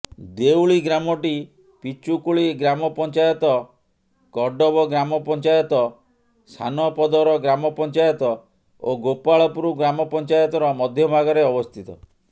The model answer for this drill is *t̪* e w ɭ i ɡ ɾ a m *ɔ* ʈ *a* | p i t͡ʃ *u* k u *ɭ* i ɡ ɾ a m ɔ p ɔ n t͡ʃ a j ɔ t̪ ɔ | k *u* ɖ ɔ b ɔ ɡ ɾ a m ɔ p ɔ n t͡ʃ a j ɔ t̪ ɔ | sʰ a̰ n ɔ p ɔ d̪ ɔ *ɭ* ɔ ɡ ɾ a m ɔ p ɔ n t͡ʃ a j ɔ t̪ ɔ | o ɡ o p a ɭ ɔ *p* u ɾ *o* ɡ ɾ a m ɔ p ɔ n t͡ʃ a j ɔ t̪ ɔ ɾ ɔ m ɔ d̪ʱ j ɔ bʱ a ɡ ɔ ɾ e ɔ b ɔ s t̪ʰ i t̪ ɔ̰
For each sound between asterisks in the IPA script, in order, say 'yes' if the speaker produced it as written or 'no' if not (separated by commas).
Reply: no, yes, no, yes, yes, no, no, yes, no